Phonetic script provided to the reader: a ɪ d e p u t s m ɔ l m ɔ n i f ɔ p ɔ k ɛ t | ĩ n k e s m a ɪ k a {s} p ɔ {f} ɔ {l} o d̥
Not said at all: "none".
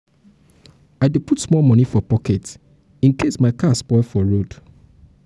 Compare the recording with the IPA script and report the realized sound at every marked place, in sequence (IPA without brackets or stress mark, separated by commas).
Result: s, f, ɹ